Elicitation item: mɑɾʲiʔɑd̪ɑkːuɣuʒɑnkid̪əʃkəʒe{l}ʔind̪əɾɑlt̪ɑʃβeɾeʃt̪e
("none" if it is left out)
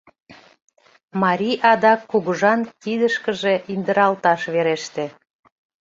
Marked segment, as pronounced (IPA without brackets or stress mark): none